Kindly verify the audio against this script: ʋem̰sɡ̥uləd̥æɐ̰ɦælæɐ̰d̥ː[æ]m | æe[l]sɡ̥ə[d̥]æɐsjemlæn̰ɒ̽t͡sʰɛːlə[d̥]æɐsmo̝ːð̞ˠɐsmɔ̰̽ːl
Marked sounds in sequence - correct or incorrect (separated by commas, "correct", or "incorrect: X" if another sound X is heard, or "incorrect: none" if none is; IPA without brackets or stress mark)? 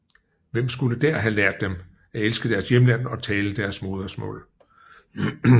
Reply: incorrect: e, correct, correct, correct